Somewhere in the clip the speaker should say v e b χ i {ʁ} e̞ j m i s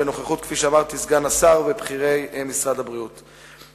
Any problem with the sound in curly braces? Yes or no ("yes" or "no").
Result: no